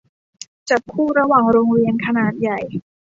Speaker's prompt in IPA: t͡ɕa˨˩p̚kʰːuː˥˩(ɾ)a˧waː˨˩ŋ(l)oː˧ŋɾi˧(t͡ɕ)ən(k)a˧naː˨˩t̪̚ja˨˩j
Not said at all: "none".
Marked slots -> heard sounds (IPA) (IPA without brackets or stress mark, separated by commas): ɾ, ɾ, none, kʰ